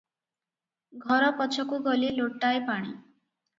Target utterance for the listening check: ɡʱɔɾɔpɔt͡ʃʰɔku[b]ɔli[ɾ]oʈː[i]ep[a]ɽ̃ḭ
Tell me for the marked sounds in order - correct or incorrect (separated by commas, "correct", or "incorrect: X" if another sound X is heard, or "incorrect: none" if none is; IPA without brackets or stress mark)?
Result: incorrect: ɡ, incorrect: l, incorrect: a, correct